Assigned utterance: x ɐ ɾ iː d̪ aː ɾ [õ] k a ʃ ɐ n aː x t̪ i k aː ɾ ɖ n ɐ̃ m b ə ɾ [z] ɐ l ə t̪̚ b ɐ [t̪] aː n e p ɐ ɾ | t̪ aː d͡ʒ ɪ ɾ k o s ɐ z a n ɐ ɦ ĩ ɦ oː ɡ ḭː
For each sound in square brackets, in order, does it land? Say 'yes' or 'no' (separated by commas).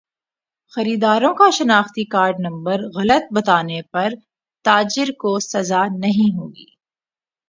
yes, no, yes